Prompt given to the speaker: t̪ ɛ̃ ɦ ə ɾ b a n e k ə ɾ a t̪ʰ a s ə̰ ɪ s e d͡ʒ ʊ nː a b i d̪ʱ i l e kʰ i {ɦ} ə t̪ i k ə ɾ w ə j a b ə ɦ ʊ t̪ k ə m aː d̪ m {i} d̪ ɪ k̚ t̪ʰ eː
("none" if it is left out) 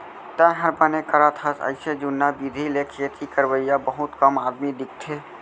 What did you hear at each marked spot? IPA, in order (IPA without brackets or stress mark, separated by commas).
none, i